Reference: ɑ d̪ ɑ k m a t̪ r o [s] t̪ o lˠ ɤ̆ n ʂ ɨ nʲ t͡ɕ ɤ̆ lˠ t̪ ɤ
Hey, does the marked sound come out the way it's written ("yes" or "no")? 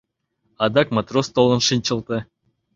yes